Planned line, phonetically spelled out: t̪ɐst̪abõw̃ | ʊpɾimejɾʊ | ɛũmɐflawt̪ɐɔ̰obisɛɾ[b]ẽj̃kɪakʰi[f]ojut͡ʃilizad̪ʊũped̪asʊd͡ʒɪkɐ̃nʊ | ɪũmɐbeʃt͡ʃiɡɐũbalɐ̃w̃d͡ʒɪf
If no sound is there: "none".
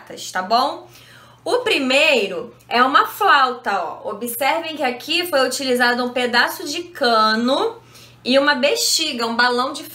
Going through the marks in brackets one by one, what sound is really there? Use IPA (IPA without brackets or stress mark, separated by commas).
v, f